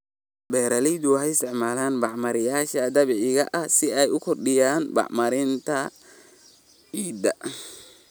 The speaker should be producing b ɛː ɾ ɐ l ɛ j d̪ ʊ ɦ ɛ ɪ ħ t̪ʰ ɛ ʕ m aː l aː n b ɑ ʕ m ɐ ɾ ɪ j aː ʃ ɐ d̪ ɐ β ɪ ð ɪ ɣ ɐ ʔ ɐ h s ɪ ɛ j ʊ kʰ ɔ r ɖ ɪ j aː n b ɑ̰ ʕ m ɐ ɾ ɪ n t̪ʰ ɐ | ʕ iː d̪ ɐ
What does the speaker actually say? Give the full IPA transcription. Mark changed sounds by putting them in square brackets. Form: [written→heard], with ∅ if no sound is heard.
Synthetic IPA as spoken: b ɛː ɾ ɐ l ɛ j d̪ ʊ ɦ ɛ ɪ [ħ→s] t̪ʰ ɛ ʕ m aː l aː n b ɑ ʕ m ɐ ɾ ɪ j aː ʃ ɐ d̪ ɐ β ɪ [ð→ʕ] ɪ ɣ ɐ ʔ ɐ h s ɪ ɛ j ʊ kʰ ɔ r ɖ ɪ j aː n b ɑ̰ ʕ m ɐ ɾ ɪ n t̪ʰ ɐ | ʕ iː d̪ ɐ